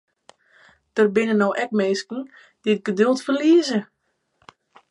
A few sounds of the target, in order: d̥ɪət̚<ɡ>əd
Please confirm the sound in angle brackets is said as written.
yes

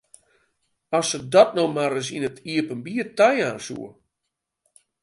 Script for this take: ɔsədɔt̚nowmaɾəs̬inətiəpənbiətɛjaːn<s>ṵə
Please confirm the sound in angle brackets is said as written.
yes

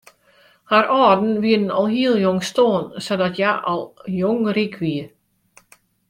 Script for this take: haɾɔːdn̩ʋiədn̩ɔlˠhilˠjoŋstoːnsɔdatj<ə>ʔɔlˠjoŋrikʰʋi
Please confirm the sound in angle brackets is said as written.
no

